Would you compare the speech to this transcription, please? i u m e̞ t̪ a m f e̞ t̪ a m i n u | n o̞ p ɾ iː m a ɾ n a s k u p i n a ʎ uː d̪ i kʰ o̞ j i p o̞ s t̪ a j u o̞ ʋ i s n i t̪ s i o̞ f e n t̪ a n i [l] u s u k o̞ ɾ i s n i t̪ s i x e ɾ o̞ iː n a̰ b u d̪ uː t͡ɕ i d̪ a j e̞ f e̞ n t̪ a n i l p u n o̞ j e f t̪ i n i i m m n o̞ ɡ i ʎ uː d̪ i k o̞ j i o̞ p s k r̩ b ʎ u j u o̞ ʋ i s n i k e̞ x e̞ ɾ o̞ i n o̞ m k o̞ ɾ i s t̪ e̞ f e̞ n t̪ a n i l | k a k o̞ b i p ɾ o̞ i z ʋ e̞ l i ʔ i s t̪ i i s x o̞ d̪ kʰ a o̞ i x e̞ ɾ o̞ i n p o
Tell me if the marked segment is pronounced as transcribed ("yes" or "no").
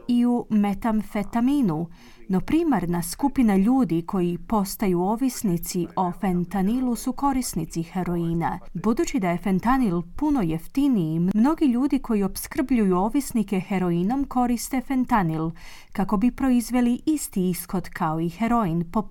yes